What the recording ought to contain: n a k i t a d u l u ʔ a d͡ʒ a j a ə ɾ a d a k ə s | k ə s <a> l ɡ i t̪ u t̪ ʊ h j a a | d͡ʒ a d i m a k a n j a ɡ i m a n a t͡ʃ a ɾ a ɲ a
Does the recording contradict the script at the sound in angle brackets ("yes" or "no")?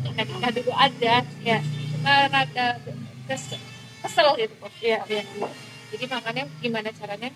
yes